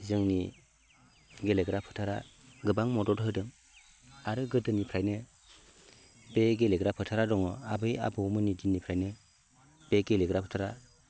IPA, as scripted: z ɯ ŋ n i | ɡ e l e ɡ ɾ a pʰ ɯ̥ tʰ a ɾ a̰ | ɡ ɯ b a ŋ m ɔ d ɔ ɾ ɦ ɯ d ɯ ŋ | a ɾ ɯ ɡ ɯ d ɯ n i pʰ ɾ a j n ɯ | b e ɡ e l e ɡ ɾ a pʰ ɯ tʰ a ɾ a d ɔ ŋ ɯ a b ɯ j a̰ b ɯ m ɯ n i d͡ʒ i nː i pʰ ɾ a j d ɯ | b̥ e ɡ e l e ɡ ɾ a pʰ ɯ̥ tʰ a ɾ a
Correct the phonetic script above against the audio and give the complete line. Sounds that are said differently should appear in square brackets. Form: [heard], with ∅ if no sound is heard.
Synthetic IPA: z ɯ ŋ n i | ɡ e l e ɡ ɾ a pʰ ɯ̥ tʰ a ɾ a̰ | ɡ ɯ b a ŋ m ɔ d ɔ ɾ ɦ ɯ d ɯ ŋ | a ɾ ɯ ɡ ɯ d ɯ n i pʰ ɾ a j n ɯ | b e ɡ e l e ɡ ɾ a pʰ ɯ tʰ a ɾ a d ɔ ŋ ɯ a b ɯ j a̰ b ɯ m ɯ n i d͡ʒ i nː i pʰ ɾ a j [n] ɯ | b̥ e ɡ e l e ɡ ɾ a pʰ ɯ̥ tʰ a ɾ a